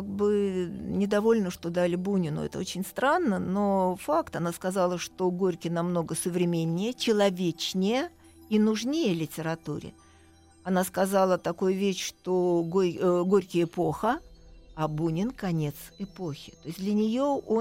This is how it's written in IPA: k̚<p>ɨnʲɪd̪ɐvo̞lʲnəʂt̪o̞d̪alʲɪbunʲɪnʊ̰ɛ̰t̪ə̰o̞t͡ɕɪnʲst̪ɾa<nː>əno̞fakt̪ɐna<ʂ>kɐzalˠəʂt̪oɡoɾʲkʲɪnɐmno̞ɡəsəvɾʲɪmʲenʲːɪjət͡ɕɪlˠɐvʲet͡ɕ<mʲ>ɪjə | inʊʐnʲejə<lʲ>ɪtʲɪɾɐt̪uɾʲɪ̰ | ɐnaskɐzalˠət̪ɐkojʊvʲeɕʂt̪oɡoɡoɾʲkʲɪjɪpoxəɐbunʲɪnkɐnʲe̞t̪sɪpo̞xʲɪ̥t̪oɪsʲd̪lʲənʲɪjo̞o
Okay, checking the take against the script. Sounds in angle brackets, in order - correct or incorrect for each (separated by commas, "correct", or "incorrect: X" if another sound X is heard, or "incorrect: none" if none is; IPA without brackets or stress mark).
incorrect: b, correct, incorrect: s, incorrect: nʲ, correct